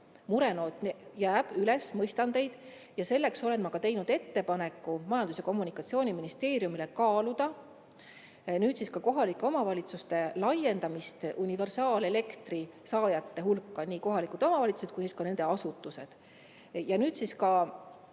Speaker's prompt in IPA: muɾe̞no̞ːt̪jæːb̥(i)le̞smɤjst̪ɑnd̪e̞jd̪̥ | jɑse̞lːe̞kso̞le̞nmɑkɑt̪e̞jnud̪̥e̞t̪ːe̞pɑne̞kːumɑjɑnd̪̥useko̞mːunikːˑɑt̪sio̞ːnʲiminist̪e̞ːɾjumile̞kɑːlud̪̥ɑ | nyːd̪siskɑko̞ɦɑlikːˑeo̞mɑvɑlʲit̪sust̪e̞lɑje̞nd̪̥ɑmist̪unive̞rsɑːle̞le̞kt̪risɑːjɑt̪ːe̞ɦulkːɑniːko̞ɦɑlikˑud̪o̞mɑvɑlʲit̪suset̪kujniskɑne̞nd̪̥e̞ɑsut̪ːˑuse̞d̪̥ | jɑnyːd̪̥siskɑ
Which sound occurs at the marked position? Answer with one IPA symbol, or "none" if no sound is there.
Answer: y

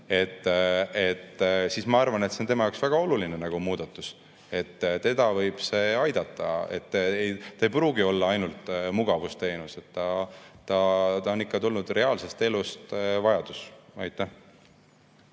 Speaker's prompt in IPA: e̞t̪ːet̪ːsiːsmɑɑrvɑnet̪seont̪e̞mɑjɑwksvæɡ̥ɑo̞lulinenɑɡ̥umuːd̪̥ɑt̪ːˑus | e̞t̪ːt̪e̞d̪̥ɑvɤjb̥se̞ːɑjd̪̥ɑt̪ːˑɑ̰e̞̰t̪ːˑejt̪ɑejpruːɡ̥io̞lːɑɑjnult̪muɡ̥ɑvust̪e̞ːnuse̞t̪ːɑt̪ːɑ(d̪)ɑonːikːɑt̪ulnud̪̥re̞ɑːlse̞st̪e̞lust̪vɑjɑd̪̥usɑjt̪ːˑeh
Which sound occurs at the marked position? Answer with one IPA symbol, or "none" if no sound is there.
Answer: t̪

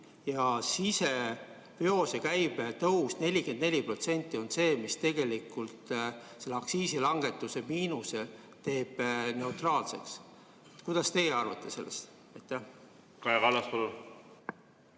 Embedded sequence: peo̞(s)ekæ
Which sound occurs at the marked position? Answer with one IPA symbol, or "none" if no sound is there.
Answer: s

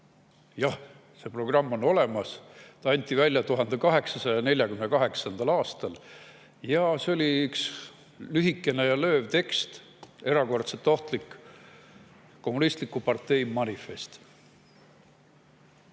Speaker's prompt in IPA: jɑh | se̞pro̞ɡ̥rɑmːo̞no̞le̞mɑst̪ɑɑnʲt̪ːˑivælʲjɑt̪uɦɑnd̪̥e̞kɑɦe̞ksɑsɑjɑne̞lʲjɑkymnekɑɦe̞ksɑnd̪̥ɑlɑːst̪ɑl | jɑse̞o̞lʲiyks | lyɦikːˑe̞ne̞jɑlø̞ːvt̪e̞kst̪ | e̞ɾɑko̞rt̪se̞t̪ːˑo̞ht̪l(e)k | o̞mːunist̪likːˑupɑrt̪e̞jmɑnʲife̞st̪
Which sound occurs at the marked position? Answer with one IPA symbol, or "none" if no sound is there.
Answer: i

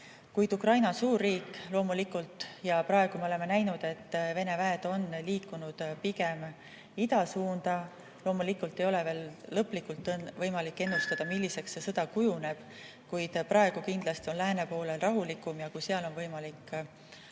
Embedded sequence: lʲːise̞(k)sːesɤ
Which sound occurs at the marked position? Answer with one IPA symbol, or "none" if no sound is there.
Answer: k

